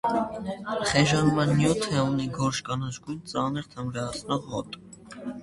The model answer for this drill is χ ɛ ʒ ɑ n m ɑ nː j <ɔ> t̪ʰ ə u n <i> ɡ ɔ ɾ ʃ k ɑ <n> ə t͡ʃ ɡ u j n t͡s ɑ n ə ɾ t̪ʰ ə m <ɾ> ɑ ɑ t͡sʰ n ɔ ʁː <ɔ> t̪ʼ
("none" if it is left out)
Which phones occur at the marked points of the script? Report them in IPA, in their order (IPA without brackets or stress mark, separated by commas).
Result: u, i, n, ɾ, ɔ